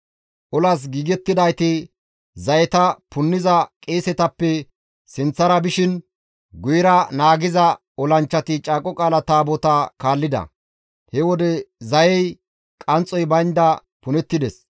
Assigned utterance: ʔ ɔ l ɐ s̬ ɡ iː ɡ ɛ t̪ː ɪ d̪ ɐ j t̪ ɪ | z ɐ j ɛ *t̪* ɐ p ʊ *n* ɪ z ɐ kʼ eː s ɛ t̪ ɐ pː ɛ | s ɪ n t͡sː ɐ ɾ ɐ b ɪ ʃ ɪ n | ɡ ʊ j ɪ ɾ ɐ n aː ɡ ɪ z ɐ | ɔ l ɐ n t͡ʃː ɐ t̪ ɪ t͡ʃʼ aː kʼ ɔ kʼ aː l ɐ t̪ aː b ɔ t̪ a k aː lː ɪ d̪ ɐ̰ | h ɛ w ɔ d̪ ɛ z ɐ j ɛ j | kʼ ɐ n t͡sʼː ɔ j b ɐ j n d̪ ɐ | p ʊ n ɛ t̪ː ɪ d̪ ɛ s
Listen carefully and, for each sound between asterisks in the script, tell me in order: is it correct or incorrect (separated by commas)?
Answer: correct, incorrect